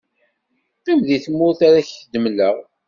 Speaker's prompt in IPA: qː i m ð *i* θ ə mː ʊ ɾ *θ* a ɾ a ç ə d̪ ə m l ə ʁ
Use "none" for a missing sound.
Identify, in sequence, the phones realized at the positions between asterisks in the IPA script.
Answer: i, θ

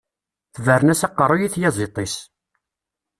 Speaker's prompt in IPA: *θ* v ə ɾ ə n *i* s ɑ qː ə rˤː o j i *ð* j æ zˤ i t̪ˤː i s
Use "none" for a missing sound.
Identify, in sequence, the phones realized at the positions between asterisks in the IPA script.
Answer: θ, æ, θ

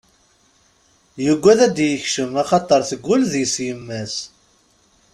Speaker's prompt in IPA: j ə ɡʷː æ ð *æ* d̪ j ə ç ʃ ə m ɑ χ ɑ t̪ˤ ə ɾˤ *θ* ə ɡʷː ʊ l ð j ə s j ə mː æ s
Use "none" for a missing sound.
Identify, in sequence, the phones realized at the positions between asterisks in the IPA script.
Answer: æ, θ

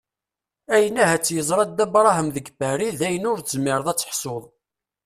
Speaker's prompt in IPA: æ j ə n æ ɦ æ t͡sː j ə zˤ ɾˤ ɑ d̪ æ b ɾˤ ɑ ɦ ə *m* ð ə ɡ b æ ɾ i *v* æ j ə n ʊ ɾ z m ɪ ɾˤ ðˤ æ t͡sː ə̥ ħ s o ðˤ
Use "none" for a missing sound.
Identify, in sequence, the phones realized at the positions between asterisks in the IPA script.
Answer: m, ð

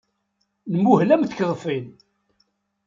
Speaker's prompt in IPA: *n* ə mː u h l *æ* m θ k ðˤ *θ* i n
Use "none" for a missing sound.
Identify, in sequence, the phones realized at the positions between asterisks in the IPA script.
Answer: n, æ, f

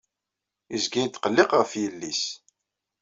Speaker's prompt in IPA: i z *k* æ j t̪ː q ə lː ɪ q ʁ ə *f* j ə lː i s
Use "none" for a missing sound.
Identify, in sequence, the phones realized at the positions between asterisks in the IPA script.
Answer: ɡ, f

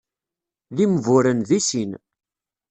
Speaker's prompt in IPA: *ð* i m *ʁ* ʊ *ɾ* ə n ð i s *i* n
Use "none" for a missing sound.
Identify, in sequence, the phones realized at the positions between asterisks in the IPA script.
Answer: ð, v, ɾ, i

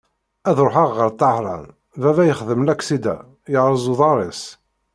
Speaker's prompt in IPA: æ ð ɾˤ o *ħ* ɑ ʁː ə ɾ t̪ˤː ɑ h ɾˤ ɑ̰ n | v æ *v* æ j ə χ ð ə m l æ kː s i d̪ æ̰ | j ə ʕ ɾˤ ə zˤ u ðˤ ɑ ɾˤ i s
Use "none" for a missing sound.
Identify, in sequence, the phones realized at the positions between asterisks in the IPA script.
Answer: ħ, v

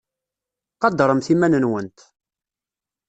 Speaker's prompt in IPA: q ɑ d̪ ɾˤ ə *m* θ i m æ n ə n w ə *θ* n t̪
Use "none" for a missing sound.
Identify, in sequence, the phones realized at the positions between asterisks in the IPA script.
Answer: m, none

